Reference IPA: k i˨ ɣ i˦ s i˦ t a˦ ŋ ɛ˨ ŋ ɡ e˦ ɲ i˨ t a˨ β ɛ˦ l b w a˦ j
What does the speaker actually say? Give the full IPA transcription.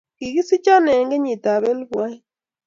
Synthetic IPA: k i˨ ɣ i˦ s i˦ t͡ʃ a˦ n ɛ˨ ŋ ɡ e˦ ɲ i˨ t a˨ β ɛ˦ l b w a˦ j